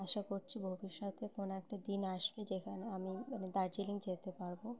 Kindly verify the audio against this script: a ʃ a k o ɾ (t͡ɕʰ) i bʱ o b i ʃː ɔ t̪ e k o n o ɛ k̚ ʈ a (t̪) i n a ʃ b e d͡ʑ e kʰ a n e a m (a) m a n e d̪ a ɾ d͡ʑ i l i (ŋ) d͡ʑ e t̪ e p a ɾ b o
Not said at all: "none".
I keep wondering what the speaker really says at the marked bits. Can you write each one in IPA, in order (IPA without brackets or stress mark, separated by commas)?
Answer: t͡ɕʰ, d̪, i, ŋ